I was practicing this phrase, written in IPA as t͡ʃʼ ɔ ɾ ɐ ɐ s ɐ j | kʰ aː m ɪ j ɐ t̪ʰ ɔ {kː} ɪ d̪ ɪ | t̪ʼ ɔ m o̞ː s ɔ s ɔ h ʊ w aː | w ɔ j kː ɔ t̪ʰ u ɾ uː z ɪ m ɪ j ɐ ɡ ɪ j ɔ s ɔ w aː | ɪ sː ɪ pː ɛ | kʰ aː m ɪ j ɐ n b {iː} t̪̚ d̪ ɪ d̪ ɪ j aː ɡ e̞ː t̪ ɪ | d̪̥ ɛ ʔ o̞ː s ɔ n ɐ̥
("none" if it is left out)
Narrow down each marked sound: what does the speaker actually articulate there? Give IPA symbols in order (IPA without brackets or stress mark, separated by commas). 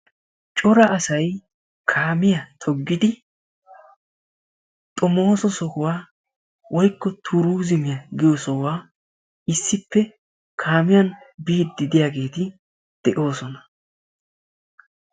ɡː, iː